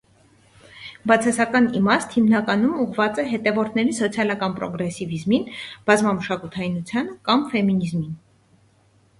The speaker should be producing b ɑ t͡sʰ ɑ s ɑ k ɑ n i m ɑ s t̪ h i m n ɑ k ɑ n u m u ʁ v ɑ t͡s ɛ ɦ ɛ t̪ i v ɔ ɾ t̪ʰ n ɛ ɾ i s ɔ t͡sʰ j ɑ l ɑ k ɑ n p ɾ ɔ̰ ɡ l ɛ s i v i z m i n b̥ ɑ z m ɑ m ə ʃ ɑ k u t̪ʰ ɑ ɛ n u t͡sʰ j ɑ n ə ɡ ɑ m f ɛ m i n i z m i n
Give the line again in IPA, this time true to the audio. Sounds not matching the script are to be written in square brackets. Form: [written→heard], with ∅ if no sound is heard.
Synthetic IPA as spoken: b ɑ t͡sʰ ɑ s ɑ k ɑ n i m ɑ s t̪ h i m n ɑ k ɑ n u m u ʁ v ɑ t͡s ɛ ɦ ɛ t̪ [i→ɛ] v ɔ ɾ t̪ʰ n ɛ ɾ i s ɔ t͡sʰ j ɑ l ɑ k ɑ n p ɾ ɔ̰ ɡ [l→ɾ] ɛ s i v i z m i n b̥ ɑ z m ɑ m ə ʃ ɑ k u t̪ʰ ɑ [ɛ→i] n u t͡sʰ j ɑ n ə [ɡ→k] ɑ m f ɛ m i n i z m i n